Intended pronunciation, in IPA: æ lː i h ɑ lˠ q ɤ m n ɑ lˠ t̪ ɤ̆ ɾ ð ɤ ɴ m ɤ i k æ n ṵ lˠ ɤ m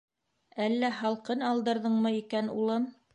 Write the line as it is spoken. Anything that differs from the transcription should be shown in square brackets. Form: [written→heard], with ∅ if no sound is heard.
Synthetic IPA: æ lː [i→æ] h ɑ lˠ q ɤ [m→∅] n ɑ lˠ [t̪→d̪] ɤ̆ ɾ ð ɤ ɴ m ɤ i k æ n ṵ lˠ ɤ m